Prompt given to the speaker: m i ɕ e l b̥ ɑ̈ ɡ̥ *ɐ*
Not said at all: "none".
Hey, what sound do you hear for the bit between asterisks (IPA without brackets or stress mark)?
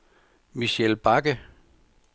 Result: ə